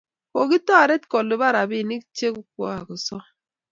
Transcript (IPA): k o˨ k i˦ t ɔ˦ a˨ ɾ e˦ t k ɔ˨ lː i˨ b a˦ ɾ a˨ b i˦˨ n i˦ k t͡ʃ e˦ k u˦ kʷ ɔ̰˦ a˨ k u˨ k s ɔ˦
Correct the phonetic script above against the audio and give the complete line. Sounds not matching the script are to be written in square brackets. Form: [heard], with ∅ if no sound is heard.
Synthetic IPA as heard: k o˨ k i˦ t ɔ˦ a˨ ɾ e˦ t k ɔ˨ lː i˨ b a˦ ɾ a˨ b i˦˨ n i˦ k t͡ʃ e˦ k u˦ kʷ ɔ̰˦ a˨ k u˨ [∅] s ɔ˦